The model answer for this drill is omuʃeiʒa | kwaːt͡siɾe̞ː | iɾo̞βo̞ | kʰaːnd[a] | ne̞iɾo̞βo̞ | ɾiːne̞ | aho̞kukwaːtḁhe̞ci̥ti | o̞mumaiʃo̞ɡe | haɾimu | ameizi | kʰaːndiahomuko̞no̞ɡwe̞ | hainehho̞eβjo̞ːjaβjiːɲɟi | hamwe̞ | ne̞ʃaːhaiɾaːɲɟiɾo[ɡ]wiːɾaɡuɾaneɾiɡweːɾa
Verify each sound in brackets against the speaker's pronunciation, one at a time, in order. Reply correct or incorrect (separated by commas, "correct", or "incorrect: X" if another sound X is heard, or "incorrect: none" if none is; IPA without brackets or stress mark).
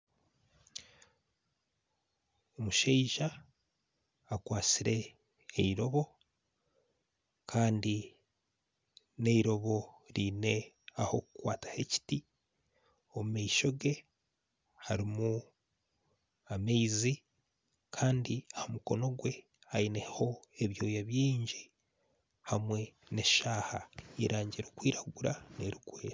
incorrect: i, incorrect: k